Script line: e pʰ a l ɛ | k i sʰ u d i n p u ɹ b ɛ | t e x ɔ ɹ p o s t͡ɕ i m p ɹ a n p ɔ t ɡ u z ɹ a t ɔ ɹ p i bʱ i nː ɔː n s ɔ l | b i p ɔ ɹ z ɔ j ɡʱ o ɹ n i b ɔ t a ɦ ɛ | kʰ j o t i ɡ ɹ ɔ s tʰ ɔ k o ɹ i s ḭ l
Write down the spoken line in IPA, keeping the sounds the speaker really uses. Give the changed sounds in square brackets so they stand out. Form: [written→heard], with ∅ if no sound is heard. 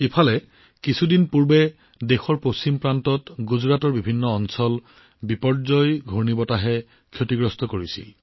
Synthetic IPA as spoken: e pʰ a l ɛ | k i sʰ u d i n p u ɹ b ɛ | [t→d] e x ɔ ɹ p o s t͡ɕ i m p ɹ a n [p→t] ɔ t ɡ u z ɹ a t ɔ ɹ [p→b] i bʱ i nː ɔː n s ɔ l | b i p ɔ ɹ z ɔ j ɡʱ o ɹ n i b ɔ t a ɦ ɛ | kʰ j o t i ɡ ɹ ɔ s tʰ ɔ k o ɹ i s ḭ l